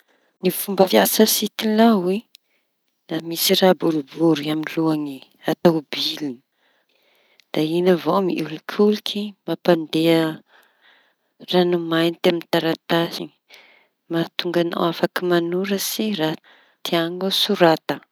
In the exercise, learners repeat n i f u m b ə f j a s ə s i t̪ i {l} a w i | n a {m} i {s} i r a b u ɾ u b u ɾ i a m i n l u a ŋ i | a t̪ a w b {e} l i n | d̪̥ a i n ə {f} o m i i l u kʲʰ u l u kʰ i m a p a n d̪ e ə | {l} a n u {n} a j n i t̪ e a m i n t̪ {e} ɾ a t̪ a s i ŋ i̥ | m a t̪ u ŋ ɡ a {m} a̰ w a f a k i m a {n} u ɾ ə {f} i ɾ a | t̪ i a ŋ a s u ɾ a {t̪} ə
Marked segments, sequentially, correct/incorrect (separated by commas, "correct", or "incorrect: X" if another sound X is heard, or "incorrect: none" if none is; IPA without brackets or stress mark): correct, correct, correct, incorrect: i, incorrect: v, incorrect: r, incorrect: m, incorrect: a, incorrect: n, correct, incorrect: s, correct